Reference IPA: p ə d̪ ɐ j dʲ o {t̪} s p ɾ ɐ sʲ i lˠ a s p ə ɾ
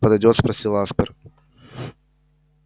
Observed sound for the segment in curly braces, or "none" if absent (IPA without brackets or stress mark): t̪